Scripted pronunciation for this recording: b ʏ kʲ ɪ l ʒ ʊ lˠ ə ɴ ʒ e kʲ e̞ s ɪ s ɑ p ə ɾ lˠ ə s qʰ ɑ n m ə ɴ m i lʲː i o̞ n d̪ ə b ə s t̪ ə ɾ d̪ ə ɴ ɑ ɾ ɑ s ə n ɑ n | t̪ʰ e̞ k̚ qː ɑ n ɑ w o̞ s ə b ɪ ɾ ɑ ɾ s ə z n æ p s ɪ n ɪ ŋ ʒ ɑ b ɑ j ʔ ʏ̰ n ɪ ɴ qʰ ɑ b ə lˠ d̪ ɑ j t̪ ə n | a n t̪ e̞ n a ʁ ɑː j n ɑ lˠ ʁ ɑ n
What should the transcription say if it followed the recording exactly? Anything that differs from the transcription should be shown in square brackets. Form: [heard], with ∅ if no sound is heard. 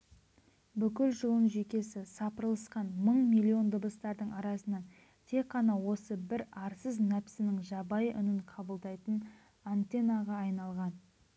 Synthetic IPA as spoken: b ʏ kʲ ɪ l ʒ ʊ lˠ ə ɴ ʒ e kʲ e̞ s ɪ s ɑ p ə ɾ lˠ ə s [q] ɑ n m ə ɴ m i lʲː i o̞ n d̪ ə b ə s t̪ [ɑ] ɾ d̪ ə ɴ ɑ ɾ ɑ s ə n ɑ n | t̪ʰ e̞ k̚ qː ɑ n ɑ w o̞ s ə b ɪ ɾ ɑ ɾ s ə z n æ p s ɪ n ɪ ŋ ʒ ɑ b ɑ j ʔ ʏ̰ n ɪ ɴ qʰ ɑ b ə lˠ d̪ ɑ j t̪ ə n | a n t̪ e̞ n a ʁ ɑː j n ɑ lˠ ʁ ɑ n